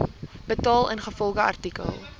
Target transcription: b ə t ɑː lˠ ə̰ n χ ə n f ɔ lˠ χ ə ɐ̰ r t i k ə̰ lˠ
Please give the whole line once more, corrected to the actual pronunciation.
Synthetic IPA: b ə t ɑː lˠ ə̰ n χ ə f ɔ lˠ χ ə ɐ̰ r t i k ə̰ lˠ